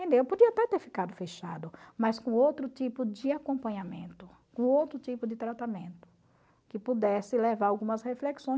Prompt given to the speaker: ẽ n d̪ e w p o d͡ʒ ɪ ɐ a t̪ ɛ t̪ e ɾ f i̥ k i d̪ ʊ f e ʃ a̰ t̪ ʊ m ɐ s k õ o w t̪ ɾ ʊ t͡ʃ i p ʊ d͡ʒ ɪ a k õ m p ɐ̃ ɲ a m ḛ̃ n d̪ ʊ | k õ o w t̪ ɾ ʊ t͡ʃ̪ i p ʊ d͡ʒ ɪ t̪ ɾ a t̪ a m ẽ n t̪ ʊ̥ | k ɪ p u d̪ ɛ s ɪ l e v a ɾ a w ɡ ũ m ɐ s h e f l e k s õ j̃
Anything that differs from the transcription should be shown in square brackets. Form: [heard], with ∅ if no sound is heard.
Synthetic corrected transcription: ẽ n d̪ e w p o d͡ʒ [i] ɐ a t̪ ɛ t̪ e ɾ f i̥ k [a] d̪ ʊ f e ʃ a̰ [d̪] ʊ m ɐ s k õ o w t̪ ɾ ʊ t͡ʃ i p ʊ d͡ʒ ɪ a k õ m p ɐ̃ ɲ a m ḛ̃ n [t̪] ʊ | k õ o w t̪ ɾ ʊ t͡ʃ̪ i p ʊ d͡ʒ ɪ t̪ ɾ a t̪ a m ẽ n t̪ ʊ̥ | k ɪ p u d̪ ɛ s ɪ l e v a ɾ a w ɡ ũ m ɐ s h e f l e k s õ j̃